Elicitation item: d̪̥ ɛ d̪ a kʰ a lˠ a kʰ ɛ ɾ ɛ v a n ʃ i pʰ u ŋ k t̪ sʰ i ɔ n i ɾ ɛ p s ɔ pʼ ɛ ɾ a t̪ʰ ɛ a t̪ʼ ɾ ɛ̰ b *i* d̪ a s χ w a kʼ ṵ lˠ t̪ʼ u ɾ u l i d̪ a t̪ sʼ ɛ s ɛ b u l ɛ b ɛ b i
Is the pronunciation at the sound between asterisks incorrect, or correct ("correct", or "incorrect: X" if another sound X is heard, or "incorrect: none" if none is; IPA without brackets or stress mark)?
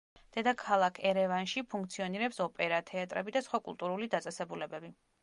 correct